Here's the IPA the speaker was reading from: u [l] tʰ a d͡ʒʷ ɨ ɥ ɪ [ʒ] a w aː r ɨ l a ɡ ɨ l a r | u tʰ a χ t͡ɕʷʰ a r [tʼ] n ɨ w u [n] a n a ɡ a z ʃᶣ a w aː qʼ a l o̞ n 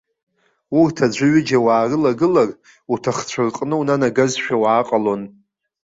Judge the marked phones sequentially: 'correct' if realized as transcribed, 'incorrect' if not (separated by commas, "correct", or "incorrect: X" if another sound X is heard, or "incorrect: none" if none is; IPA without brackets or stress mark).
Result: incorrect: r, incorrect: d͡ʒ, incorrect: qʼ, correct